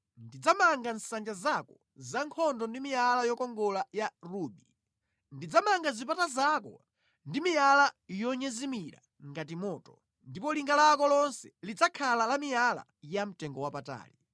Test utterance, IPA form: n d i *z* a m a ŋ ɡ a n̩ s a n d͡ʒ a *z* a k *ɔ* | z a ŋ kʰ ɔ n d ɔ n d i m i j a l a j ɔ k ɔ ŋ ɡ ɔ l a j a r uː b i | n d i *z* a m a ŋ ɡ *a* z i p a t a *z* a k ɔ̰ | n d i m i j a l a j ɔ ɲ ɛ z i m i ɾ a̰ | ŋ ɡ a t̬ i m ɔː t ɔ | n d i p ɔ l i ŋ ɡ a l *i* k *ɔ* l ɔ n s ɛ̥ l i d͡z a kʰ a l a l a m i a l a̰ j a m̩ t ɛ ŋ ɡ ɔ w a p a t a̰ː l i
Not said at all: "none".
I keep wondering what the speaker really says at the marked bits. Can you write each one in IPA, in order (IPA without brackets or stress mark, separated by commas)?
d͡z, z, ɔ, d͡z, a, z, a, ɔ